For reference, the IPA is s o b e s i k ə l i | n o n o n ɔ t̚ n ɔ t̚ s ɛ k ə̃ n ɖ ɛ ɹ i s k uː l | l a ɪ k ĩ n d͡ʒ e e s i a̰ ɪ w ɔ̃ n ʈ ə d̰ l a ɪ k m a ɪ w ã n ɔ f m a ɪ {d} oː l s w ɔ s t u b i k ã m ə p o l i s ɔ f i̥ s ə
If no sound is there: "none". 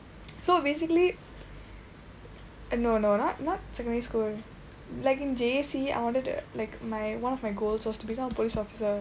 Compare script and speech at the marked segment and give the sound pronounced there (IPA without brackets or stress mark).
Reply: ɡ